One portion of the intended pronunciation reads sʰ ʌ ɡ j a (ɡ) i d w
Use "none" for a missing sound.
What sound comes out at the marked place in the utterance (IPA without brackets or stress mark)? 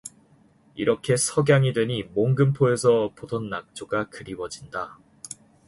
ŋ